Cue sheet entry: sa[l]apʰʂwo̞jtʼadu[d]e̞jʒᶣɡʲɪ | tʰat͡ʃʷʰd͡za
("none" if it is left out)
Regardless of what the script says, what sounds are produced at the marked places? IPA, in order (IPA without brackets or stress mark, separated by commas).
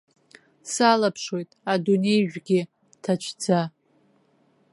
l, n